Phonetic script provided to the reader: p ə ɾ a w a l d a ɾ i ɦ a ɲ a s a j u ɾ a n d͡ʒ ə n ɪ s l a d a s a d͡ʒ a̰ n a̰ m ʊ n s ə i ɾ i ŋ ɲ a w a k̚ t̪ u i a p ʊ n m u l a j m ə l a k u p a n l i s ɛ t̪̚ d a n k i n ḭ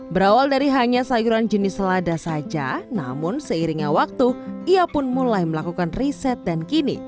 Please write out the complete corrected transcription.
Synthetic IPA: b ə ɾ a w a l d a ɾ i ɦ a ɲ a s a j u ɾ a n d͡ʒ ə n ɪ s l a d a s a d͡ʒ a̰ n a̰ m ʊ n s ə i ɾ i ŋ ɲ a w a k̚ t̪ u i a p ʊ n m u l a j m ə l a k u k a n r i s ɛ t̪̚ d a n k i n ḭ